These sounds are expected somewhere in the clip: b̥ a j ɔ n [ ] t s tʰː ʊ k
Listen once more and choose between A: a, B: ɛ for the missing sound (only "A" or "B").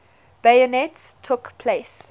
B